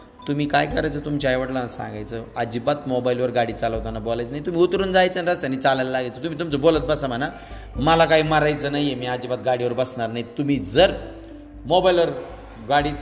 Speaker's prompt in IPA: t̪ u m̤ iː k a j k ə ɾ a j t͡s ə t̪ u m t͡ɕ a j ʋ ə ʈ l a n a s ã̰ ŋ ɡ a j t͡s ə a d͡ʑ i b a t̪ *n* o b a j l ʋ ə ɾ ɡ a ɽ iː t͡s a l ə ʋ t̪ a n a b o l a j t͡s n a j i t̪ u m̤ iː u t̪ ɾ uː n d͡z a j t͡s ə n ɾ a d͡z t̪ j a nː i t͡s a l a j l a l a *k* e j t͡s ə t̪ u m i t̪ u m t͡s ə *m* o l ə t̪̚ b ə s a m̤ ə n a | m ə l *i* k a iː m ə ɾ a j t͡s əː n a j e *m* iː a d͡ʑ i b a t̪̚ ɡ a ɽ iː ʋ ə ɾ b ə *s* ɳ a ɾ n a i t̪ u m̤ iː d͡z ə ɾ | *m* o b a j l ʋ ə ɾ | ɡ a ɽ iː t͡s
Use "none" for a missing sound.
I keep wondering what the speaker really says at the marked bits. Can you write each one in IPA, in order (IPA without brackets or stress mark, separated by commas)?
m, ɡ, b, a, m, s, m